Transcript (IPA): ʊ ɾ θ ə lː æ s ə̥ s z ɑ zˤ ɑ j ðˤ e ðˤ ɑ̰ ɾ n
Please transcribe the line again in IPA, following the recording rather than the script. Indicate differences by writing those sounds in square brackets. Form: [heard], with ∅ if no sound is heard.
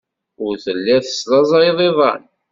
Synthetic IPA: ʊ ɾ θ ə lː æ [θ] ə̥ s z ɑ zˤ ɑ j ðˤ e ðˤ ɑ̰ [∅] n